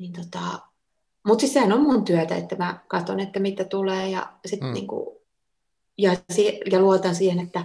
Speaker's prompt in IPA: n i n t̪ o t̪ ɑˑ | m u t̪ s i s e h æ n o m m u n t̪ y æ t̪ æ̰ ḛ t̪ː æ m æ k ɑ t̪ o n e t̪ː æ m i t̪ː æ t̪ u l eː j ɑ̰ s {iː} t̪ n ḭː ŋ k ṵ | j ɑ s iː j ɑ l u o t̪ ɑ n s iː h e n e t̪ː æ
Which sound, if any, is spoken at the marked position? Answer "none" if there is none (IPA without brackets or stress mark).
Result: i